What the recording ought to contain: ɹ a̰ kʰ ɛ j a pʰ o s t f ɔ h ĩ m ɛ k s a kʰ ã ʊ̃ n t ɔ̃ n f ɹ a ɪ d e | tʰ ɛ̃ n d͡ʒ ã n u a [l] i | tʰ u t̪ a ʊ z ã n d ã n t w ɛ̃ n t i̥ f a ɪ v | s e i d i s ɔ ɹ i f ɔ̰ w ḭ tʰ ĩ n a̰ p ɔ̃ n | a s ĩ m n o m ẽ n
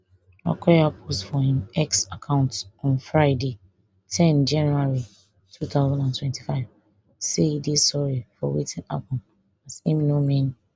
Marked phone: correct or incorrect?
incorrect: ɹ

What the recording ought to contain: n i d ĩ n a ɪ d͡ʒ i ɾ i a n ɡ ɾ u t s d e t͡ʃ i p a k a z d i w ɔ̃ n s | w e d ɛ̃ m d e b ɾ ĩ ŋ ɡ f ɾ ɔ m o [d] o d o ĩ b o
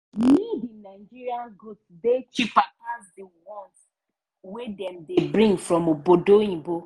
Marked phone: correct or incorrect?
incorrect: b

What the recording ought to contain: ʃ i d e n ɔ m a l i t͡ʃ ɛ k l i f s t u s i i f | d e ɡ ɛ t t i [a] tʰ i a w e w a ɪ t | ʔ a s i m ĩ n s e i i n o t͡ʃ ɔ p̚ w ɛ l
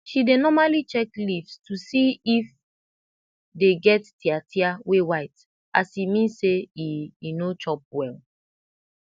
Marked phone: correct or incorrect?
correct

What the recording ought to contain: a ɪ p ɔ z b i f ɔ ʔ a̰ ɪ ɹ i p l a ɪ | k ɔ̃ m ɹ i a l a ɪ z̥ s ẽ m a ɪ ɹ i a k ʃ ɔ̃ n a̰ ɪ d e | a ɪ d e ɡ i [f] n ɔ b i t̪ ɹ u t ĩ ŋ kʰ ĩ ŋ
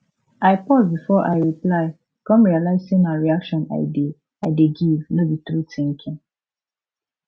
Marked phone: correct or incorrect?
incorrect: v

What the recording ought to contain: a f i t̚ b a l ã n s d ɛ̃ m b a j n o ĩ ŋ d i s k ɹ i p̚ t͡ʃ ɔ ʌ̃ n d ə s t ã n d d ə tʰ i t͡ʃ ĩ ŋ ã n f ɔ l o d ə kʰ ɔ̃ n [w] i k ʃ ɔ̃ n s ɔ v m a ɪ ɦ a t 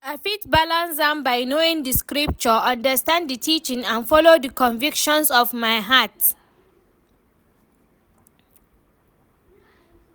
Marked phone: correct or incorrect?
incorrect: v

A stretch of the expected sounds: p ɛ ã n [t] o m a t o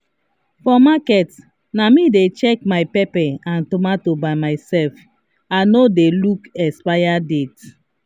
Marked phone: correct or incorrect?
correct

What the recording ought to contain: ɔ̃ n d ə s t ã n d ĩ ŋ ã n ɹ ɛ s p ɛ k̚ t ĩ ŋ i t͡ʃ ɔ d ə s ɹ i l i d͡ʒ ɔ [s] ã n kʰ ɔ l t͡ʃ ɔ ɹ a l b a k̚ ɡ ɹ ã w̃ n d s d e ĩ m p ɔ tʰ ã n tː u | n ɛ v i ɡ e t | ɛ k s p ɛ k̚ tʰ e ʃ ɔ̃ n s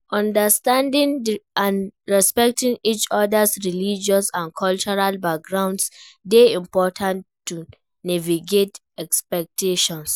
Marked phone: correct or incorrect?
correct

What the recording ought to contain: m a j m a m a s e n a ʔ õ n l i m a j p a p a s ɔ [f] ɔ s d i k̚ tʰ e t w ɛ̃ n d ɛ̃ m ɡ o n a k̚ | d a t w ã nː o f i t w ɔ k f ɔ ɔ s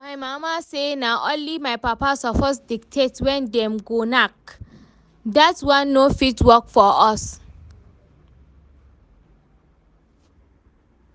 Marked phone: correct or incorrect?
correct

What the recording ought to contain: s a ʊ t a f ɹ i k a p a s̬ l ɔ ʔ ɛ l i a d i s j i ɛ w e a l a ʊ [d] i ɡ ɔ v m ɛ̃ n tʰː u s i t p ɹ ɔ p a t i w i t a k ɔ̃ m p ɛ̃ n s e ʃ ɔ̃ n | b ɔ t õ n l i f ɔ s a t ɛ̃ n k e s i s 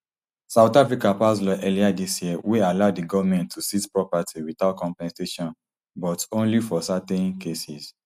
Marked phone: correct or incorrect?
correct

